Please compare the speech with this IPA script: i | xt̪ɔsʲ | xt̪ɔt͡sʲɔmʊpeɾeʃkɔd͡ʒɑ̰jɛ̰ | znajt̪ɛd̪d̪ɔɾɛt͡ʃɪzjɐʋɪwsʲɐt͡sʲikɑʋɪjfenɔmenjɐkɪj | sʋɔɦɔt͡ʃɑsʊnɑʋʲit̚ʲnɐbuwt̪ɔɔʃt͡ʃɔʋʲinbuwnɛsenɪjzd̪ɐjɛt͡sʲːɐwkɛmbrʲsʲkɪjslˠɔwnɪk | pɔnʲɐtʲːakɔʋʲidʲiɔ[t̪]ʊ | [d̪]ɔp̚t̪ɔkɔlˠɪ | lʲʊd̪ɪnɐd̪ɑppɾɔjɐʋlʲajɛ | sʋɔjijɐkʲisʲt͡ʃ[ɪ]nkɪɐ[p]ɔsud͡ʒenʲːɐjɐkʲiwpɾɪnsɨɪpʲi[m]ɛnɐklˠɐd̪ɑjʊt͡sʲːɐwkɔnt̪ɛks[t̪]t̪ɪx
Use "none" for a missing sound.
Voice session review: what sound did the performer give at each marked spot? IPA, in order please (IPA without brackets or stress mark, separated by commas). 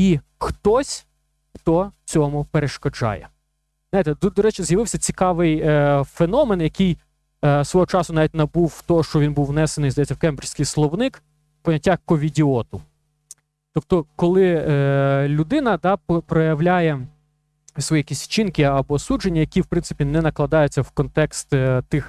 t̪, t̪, i, b, n, t̪